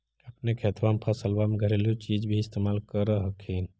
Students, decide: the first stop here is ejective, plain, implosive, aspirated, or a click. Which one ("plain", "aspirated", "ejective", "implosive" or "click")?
plain